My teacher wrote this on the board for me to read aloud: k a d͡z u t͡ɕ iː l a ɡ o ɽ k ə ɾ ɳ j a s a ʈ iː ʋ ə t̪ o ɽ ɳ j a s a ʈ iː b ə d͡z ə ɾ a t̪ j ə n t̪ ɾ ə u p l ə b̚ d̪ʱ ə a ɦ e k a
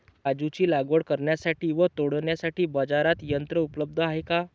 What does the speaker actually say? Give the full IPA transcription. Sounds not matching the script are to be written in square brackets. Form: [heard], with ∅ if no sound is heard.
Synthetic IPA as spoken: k a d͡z u t͡ɕ iː l a ɡ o ɽ k ə ɾ ɳ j a s a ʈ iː ʋ ə t̪ o ɽ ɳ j a s a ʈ iː b ə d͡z [a] ɾ a t̪ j ə n t̪ ɾ ə u p l ə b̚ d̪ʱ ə a ɦ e k a